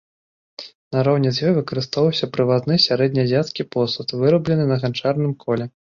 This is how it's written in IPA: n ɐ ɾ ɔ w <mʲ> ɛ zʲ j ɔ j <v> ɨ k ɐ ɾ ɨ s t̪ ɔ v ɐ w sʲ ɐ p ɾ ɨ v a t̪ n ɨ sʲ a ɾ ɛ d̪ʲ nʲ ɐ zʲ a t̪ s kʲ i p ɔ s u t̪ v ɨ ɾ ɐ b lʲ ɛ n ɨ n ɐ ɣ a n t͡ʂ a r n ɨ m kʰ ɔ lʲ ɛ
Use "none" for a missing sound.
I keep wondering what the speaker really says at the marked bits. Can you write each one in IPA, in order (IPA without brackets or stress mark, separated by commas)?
nʲ, v